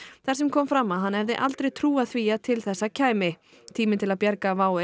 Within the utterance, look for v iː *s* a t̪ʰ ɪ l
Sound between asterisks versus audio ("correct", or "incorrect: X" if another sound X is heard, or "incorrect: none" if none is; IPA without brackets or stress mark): incorrect: none